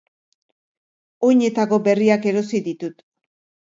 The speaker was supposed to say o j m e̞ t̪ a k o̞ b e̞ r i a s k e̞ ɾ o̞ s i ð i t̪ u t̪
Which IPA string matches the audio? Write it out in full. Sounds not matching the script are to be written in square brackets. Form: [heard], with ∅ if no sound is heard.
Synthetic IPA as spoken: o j [ɲ] e̞ t̪ a k o̞ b e̞ r i a [∅] k e̞ ɾ o̞ s i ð i t̪ u t̪